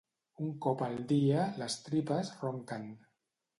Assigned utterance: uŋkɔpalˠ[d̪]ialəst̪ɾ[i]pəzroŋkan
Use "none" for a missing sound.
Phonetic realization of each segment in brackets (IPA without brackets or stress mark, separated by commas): d̪, i